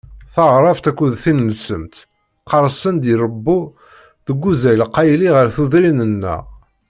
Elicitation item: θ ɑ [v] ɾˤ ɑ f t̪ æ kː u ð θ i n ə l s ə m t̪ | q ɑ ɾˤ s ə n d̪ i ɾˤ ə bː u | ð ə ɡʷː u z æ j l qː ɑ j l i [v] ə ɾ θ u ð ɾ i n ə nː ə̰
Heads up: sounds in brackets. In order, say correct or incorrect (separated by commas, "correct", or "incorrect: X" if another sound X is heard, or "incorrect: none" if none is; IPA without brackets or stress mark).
incorrect: ʁ, incorrect: ʁ